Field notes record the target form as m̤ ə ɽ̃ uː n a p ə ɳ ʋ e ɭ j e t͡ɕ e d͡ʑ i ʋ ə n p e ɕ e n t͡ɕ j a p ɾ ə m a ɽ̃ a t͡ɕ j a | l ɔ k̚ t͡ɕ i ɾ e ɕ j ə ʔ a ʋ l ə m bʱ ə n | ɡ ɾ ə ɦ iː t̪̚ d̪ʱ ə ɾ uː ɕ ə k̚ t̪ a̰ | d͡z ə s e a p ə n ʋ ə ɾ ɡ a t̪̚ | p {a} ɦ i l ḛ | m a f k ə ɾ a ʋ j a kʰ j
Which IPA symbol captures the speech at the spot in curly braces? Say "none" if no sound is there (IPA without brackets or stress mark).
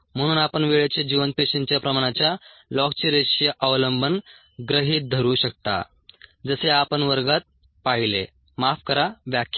a